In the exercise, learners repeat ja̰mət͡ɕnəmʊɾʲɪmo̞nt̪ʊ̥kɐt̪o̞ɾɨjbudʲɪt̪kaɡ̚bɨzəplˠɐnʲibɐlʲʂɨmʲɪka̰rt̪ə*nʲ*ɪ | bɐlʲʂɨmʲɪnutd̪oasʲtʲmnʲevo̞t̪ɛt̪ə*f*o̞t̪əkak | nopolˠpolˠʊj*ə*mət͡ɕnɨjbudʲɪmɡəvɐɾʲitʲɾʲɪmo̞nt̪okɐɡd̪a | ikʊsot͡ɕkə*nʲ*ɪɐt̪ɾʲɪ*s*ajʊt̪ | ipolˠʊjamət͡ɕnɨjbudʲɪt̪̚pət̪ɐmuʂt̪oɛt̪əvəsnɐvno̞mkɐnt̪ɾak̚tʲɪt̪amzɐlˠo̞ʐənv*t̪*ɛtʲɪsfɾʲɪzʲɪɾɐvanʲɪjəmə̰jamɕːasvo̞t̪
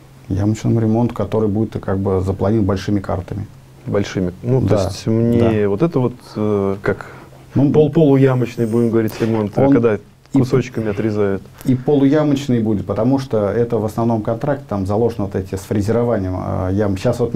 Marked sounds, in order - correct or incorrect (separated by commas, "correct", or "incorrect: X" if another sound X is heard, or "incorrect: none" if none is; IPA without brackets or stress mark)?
incorrect: mʲ, incorrect: v, incorrect: a, incorrect: mʲ, incorrect: z, correct